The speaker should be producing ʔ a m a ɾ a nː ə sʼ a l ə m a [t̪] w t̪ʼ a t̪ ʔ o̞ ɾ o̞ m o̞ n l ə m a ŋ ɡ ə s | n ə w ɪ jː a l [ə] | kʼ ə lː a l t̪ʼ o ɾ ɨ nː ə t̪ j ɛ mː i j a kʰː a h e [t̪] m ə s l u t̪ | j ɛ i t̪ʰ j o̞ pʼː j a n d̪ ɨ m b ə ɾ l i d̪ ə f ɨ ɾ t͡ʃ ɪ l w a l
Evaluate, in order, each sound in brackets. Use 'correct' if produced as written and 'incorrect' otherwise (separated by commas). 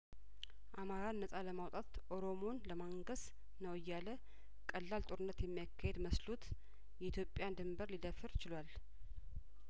incorrect, correct, incorrect